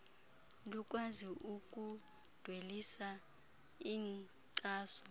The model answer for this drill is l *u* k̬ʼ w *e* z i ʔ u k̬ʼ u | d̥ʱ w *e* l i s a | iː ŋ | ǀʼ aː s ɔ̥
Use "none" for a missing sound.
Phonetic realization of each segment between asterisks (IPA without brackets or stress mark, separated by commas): u, a, e